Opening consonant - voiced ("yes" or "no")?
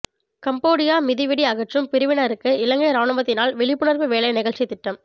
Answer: no